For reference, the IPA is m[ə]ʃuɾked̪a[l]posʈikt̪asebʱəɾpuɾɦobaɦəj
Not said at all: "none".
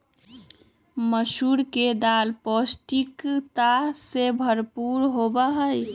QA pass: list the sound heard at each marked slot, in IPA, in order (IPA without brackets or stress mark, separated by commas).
ə, l